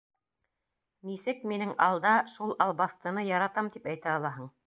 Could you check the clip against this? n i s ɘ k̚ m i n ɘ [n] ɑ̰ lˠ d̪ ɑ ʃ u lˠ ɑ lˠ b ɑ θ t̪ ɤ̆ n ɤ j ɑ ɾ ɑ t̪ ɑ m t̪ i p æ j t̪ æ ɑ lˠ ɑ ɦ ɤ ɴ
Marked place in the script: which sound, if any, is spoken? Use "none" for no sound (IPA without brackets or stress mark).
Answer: ŋ